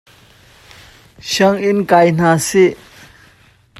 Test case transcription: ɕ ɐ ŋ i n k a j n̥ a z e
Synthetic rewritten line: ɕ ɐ ŋ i n k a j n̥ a s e